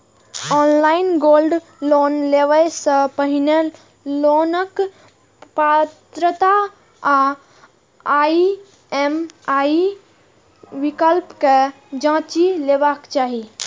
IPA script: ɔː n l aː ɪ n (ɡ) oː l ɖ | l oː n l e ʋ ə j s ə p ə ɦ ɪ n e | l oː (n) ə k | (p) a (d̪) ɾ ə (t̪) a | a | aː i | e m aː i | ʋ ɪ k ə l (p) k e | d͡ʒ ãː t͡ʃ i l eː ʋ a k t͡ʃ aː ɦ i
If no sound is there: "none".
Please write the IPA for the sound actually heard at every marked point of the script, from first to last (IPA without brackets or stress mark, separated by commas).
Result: ɡ, n, p, t̪, t̪, p